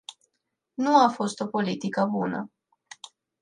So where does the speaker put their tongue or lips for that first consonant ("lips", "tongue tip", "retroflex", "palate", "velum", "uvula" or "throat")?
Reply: tongue tip